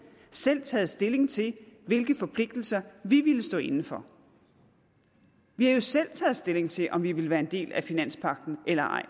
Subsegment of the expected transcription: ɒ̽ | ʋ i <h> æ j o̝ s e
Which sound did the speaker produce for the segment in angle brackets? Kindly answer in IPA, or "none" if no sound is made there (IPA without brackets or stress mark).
h